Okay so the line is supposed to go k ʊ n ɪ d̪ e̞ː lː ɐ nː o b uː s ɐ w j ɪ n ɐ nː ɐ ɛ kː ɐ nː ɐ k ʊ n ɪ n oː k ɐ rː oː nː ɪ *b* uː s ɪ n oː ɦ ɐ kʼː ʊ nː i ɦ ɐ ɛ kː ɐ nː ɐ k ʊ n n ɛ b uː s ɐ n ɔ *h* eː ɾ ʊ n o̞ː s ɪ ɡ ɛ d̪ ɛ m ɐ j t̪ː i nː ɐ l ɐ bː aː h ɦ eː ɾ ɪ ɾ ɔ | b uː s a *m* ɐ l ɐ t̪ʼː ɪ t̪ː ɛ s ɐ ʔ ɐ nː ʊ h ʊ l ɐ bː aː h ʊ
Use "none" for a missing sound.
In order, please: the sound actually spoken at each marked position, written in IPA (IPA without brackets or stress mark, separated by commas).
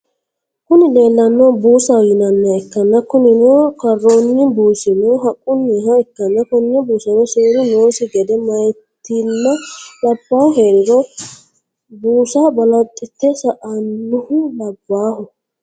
b, s, b